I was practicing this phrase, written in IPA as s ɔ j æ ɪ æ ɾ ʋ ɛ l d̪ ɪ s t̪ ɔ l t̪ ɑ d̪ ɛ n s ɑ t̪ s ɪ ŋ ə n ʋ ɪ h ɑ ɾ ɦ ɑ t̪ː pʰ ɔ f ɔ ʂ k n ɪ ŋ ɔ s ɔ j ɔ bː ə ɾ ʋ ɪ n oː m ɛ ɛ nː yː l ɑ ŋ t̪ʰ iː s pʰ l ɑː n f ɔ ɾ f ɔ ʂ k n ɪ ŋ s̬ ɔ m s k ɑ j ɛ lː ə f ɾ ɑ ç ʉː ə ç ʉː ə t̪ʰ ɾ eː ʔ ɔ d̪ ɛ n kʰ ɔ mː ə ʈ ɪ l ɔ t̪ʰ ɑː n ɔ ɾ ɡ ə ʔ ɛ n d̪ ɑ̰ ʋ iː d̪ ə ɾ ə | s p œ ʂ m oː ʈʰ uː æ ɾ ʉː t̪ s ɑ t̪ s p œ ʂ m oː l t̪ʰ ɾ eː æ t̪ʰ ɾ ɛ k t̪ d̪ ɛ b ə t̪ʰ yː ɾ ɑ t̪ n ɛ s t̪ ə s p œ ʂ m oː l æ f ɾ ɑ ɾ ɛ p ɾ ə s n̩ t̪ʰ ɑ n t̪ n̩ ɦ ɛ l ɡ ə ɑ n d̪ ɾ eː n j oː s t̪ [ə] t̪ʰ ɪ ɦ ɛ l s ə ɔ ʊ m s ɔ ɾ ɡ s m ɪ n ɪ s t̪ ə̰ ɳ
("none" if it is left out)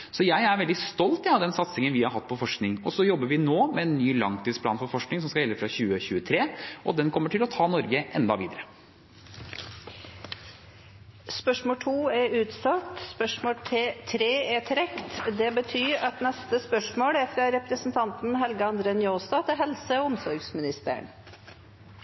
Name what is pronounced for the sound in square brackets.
ɑ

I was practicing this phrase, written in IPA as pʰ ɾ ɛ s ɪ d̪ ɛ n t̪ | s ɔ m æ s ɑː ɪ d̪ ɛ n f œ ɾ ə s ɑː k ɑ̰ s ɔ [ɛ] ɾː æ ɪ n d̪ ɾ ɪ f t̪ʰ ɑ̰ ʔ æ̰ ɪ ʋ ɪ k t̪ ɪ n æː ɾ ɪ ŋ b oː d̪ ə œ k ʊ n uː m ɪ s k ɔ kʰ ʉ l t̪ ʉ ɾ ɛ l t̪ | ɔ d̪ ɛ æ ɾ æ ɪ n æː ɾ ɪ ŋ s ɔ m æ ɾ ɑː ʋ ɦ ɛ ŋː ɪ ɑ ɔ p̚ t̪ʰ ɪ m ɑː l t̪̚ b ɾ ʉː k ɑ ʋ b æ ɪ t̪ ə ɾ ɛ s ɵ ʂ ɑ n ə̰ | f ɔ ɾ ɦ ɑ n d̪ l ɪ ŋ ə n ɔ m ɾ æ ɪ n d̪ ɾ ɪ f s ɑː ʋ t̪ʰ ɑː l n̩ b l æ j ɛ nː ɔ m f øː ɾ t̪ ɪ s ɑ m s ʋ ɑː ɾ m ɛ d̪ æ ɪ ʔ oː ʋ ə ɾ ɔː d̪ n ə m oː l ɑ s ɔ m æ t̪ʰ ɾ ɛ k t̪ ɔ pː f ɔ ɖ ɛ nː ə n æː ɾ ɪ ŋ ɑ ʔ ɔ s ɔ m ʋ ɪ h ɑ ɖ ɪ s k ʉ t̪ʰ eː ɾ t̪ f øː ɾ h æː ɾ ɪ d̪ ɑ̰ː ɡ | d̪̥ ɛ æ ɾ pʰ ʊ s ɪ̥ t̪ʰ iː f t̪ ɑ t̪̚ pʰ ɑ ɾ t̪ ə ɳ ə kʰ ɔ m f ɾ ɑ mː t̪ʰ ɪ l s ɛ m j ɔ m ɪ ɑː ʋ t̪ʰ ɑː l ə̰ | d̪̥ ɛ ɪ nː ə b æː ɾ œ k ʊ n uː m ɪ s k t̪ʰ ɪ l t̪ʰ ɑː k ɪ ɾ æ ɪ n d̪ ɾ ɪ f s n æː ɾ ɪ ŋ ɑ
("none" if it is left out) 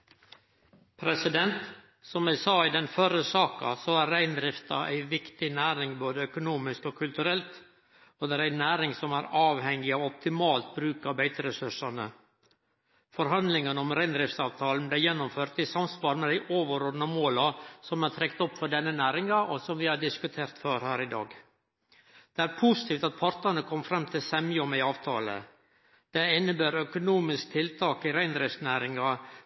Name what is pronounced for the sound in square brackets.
æ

